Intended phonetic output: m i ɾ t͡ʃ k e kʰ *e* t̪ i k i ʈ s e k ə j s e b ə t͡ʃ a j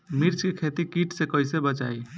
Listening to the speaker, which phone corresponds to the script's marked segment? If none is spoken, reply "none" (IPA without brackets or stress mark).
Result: e